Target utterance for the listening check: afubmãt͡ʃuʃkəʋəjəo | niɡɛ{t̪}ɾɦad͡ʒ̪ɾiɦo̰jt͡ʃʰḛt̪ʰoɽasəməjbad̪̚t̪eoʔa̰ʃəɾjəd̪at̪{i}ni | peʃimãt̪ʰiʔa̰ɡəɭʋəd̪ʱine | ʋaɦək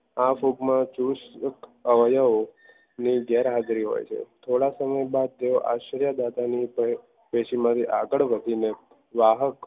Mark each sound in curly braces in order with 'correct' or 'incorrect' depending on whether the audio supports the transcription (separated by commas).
incorrect, incorrect